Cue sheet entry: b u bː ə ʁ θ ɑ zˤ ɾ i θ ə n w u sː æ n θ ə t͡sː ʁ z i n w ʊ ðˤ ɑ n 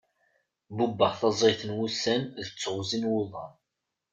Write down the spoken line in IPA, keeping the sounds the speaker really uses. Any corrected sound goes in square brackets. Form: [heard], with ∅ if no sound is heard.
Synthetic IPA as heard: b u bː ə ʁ θ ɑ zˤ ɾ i θ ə n w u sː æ n [ð] ə t͡sː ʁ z i n w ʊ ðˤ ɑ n